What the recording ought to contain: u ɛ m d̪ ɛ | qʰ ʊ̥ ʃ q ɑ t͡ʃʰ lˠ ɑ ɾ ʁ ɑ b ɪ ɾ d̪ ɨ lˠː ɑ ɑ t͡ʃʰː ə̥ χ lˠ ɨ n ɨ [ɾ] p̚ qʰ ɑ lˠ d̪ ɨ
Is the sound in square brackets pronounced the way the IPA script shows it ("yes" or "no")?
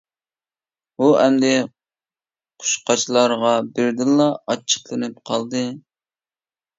no